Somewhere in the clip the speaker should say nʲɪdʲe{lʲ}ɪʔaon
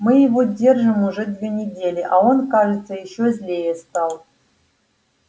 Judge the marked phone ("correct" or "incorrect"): correct